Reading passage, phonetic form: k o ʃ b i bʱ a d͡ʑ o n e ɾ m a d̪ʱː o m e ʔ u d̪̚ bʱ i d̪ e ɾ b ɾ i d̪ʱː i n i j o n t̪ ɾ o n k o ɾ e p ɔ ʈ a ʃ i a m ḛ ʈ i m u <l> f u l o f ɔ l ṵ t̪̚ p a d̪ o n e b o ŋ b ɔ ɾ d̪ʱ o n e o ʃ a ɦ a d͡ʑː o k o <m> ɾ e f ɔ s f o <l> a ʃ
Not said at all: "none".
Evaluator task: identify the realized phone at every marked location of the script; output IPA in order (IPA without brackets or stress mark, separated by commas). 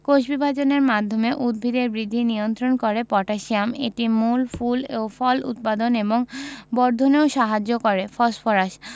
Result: l, none, ɾ